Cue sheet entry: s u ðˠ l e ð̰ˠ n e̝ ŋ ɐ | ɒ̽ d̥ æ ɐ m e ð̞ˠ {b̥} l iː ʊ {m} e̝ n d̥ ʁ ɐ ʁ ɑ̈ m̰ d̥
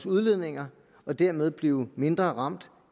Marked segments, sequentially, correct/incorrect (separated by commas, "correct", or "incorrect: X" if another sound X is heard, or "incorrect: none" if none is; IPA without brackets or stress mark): correct, correct